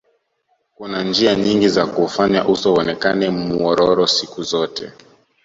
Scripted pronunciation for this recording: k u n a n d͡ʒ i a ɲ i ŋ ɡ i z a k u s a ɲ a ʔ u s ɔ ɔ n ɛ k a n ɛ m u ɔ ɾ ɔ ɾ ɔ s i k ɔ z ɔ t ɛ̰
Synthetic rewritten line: k u n a n d͡ʒ i a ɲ i ŋ ɡ i z a k u f a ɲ a ʔ u s ɔ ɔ n ɛ k a n ɛ m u ɔ ɾ ɔ ɾ ɔ s i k u z ɔ t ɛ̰